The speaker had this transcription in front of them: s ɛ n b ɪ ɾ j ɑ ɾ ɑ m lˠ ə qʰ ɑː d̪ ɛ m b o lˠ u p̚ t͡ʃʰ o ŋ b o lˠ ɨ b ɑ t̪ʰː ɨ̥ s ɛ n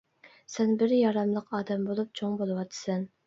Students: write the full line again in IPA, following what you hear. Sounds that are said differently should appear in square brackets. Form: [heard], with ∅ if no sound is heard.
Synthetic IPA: s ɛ n b ɪ ɾ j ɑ ɾ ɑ m lˠ ə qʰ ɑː d̪ ɛ m b o lˠ u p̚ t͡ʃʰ o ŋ b o lˠ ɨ [w] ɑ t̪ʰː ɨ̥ s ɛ n